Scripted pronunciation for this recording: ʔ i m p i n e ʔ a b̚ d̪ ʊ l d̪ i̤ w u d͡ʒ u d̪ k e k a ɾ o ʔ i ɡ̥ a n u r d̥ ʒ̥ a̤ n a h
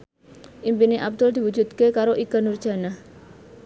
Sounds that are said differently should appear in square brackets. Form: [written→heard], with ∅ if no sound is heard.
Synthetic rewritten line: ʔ i m p i n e ʔ a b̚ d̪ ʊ l d̪ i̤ w u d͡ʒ u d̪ k e k a ɾ o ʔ i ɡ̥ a n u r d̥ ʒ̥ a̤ n a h